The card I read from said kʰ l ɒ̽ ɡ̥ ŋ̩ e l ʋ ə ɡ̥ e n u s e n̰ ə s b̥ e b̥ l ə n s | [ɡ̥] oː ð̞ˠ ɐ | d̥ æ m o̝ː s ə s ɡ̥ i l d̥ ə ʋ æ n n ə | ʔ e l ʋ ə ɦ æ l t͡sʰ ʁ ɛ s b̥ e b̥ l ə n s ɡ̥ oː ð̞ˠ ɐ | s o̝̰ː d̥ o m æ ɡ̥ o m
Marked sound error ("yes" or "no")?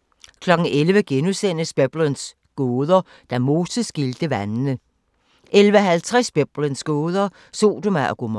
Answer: no